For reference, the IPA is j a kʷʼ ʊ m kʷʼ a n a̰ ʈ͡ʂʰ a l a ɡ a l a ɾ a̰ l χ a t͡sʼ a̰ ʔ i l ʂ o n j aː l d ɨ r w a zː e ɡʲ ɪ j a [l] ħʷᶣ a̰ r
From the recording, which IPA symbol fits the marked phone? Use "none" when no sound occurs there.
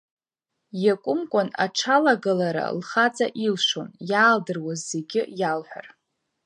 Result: l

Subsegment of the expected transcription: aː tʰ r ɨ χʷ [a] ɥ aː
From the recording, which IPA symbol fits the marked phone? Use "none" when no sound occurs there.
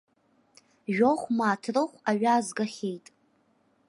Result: a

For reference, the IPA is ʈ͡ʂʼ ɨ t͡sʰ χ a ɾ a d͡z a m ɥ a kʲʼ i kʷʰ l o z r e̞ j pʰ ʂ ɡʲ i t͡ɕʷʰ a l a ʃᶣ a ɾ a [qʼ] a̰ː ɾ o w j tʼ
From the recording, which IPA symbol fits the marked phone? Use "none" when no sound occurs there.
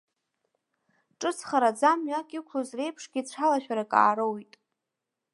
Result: kʼ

